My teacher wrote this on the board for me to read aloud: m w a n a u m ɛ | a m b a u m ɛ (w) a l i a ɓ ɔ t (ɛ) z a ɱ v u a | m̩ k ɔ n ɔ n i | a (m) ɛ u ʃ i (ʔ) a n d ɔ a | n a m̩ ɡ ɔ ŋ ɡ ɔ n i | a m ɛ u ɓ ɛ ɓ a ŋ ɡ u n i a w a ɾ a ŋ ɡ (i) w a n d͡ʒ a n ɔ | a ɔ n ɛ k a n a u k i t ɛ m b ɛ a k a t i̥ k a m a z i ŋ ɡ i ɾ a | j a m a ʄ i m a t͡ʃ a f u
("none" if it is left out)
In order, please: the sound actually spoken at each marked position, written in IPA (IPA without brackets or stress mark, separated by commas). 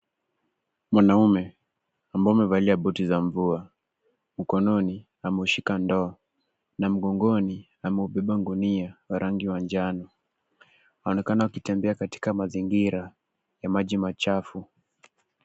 v, i, m, k, i